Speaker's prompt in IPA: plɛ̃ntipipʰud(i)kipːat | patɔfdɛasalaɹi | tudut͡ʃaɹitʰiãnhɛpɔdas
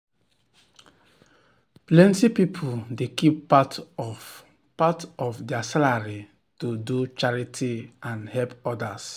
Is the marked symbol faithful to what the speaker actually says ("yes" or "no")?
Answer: no